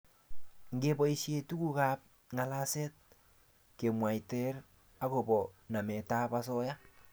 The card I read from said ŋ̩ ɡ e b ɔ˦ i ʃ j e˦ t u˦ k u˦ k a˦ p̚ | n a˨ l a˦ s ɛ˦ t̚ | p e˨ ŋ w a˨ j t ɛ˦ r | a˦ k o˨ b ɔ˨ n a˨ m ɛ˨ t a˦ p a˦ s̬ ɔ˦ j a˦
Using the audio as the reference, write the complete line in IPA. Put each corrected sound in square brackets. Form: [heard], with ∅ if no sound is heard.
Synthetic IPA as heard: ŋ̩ ɡ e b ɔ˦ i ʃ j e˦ t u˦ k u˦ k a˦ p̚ | [ŋ] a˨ l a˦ s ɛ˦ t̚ | [k] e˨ [m] w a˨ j t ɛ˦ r | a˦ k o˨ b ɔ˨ n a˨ m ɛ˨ t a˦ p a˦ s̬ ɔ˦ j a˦

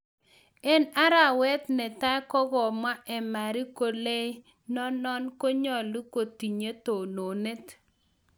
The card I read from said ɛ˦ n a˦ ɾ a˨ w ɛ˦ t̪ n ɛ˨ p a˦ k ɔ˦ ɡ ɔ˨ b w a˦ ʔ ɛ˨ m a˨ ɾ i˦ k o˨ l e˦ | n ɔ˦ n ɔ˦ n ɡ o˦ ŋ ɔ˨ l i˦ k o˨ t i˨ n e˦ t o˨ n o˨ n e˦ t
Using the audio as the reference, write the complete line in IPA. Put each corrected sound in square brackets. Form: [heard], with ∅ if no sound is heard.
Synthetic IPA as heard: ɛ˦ n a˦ ɾ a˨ w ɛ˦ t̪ n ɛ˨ [t] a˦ k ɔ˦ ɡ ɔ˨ [m] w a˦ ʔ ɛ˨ m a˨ ɾ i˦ k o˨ l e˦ | n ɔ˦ n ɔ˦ n [k] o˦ [ɲ] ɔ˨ l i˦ k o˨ t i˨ [ɲ] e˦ t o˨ n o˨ n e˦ t

